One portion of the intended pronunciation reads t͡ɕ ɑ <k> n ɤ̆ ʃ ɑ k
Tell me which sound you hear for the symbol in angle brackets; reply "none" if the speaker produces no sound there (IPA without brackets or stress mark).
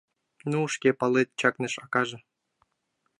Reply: k